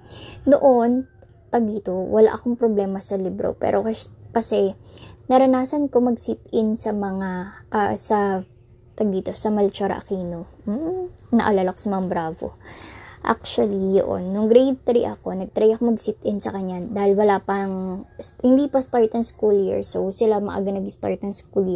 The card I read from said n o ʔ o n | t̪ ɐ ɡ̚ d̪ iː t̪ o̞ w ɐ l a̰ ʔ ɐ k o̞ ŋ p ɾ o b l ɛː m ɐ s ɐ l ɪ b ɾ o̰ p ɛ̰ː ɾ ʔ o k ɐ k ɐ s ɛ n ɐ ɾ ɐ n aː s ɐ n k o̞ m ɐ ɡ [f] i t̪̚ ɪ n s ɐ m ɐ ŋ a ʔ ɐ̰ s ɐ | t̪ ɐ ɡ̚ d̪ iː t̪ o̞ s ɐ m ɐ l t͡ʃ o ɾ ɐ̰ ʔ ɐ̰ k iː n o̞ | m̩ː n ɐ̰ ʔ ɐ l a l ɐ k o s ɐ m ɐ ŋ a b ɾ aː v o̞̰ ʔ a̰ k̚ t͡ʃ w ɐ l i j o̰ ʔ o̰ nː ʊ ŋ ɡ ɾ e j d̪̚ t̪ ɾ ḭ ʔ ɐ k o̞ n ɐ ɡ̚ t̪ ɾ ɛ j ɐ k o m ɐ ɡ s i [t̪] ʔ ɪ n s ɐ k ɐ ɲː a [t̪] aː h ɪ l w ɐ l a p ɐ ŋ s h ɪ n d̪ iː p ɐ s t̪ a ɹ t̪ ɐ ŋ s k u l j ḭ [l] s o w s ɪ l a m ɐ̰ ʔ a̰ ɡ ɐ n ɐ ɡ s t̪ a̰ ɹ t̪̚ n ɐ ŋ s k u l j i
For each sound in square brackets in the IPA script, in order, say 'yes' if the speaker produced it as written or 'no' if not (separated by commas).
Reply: no, yes, no, no